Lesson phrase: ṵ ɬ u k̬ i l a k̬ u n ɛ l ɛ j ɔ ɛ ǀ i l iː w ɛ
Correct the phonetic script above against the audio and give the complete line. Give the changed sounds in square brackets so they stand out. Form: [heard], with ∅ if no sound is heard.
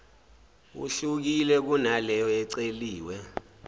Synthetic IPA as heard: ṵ ɬ u k̬ i l [ɛ] k̬ u n [a] l ɛ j ɔ ɛ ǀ [e] l iː w ɛ